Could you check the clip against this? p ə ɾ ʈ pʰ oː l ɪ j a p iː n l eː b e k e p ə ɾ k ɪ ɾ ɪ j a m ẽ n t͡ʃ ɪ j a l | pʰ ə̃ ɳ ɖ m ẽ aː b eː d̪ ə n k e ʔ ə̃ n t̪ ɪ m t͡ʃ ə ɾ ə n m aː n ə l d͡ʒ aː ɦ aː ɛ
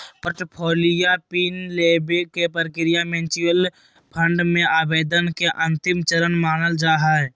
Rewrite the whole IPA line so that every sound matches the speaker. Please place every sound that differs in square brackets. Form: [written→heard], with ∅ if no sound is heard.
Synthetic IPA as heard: p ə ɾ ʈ pʰ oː l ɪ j a p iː n l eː b e k e p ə ɾ k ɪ ɾ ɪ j a m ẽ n t͡ʃ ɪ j [a→ə] l | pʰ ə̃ ɳ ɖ m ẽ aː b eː d̪ ə n k e ʔ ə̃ n t̪ ɪ m t͡ʃ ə ɾ ə n m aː n ə l d͡ʒ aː ɦ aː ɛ